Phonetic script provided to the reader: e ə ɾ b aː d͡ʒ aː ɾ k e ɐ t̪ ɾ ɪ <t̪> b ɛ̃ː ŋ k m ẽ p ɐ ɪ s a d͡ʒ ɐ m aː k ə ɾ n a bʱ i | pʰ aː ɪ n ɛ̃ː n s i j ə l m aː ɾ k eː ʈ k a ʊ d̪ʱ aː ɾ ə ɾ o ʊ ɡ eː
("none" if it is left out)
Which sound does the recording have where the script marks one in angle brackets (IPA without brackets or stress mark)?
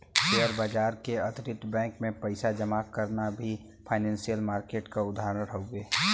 t̪